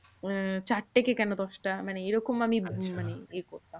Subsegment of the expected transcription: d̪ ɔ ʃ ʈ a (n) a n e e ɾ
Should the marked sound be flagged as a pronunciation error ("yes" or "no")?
yes